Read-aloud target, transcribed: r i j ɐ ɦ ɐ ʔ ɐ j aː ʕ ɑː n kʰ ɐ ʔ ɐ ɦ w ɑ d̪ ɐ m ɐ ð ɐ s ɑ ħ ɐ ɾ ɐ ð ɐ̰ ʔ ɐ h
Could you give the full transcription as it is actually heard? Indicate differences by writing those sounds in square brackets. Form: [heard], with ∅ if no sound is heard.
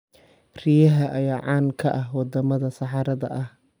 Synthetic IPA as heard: r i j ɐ ɦ ɐ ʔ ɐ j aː ʕ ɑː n kʰ ɐ ʔ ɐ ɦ w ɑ d̪ ɐ m ɐ ð ɐ s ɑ ħ [ɑ] ɾ ɐ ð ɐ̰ ʔ ɐ h